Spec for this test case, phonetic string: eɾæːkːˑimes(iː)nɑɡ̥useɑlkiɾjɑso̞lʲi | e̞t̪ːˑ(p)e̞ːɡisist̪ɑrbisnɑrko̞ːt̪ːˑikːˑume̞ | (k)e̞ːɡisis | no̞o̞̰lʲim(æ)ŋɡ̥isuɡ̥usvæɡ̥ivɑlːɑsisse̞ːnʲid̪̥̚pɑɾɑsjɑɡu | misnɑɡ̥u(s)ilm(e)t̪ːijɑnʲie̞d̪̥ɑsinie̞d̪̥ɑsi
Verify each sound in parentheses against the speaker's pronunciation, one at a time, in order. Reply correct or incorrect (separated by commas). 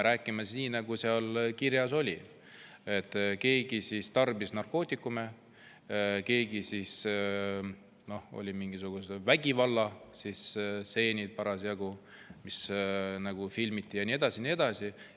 correct, incorrect, correct, incorrect, incorrect, incorrect